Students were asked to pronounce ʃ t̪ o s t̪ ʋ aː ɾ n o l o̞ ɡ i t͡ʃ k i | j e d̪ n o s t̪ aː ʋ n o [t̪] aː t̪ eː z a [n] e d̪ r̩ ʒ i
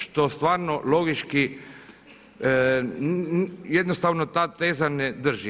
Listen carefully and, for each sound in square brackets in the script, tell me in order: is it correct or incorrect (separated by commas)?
correct, correct